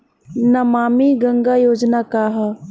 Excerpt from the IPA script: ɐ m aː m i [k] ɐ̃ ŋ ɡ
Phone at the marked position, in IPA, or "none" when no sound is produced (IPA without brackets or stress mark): ɡ